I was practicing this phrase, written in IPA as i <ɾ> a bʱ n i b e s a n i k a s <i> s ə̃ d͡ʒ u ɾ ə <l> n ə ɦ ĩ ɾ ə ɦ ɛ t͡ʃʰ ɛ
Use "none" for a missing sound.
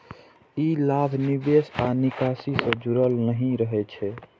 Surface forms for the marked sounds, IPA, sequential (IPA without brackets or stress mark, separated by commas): l, i, l